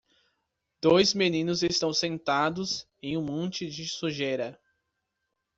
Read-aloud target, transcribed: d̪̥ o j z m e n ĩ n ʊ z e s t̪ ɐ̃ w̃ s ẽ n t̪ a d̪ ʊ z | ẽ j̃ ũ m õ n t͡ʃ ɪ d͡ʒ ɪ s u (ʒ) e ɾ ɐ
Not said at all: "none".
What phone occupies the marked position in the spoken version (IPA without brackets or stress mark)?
ʒ